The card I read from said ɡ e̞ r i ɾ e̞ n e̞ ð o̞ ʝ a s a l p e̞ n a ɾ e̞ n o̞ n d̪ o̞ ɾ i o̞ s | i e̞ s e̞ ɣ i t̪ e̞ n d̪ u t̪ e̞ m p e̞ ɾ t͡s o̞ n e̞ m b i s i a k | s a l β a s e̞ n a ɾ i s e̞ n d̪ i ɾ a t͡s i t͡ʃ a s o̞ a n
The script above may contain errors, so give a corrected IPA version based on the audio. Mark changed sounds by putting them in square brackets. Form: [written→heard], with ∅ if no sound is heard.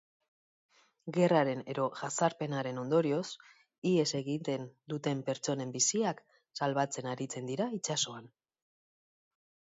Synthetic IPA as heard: ɡ e̞ r [i→a] ɾ e̞ n e̞ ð o̞ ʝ a s a [l→ɾ] p e̞ n a ɾ e̞ n o̞ n d̪ o̞ ɾ i o̞ s | i e̞ s e̞ ɣ i t̪ e̞ n d̪ u t̪ e̞ m p e̞ ɾ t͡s o̞ n e̞ m b i s i a k | s a l β a [s→t͡s] e̞ n a ɾ i [s→t͡s] e̞ n d̪ i ɾ a [t͡s→∅] i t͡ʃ a s o̞ a n

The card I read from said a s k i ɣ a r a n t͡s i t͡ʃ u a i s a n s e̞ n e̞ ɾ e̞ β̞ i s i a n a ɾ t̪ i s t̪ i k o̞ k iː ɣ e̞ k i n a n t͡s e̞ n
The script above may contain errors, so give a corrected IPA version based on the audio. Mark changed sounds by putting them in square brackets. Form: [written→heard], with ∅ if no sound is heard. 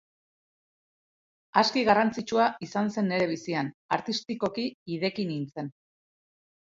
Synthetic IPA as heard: a s k i ɣ a r a n t͡s i t͡ʃ u a i s a n s e̞ n e̞ ɾ e̞ β̞ i s i a n a ɾ t̪ i s t̪ i k o̞ k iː [ɣ→ð] e̞ k i n [a→i] n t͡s e̞ n

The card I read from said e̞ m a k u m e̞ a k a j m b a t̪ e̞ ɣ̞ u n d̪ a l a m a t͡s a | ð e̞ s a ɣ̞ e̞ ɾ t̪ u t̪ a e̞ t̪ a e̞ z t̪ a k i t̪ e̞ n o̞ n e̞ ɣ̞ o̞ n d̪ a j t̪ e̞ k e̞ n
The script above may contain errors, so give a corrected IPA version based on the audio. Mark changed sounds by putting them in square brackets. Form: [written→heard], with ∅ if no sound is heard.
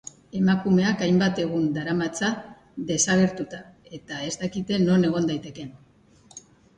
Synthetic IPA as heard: e̞ m a k u m e̞ a k a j m b a t̪ e̞ ɣ̞ u n d̪ a [l→ɾ] a m a t͡s a | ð e̞ s a ɣ̞ e̞ ɾ t̪ u t̪ a e̞ t̪ a e̞ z t̪ a k i t̪ e̞ n o̞ n e̞ ɣ̞ o̞ n d̪ a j t̪ e̞ k e̞ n

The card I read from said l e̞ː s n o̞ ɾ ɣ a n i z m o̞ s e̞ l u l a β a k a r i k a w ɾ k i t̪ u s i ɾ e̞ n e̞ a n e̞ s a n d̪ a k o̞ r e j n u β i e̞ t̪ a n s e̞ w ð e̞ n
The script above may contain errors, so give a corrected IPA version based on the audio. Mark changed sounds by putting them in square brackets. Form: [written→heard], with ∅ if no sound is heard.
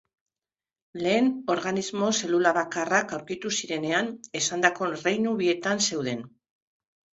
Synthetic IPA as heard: l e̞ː [s→∅] n o̞ ɾ ɣ a n i z m o̞ s e̞ l u l a β a k a r [i→a] k a w ɾ k i t̪ u s i ɾ e̞ n e̞ a n e̞ s a n d̪ a k o̞ r e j n u β i e̞ t̪ a n s e̞ w ð e̞ n

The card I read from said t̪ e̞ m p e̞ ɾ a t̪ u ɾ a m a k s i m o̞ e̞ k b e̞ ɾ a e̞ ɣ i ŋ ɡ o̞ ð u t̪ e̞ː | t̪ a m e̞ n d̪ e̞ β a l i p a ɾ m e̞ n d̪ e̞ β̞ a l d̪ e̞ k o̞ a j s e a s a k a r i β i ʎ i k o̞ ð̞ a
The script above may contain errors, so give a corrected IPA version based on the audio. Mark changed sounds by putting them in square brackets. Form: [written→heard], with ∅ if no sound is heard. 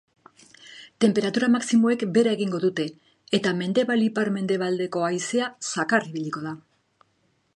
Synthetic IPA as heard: t̪ e̞ m p e̞ ɾ a t̪ u ɾ a m a k s i m o̞ e̞ k b e̞ ɾ a e̞ ɣ i ŋ ɡ o̞ ð u t̪ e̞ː | t̪ a m e̞ n d̪ e̞ β a l i p a ɾ m e̞ n d̪ e̞ β̞ a l d̪ e̞ k o̞ a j s e a s a k a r i β i ʎ i k o̞ ð̞ a

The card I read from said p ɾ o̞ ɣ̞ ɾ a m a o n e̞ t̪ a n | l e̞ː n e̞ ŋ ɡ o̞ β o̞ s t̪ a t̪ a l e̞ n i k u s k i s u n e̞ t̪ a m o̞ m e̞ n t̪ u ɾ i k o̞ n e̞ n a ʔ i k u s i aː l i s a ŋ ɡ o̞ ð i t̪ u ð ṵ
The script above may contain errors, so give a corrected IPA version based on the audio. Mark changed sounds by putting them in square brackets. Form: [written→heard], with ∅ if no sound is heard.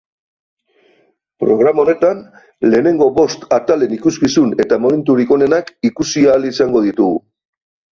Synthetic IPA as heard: p ɾ o̞ ɣ̞ ɾ a m a o n e̞ t̪ a n | l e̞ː n e̞ ŋ ɡ o̞ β o̞ s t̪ a t̪ a l e̞ n i k u s k i s u n e̞ t̪ a m o̞ m e̞ n t̪ u ɾ i k o̞ n e̞ n a [ʔ→k] i k u s i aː l i s a ŋ ɡ o̞ ð i t̪ u [ð→ɣ] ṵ

